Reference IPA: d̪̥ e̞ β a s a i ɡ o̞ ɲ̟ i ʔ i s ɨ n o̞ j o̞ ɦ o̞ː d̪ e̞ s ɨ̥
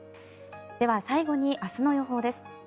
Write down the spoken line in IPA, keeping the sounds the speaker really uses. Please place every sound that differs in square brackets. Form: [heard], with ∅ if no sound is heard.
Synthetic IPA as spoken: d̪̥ e̞ β a s a i ɡ o̞ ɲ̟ i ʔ [a] s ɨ n o̞ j o̞ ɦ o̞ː d̪ e̞ s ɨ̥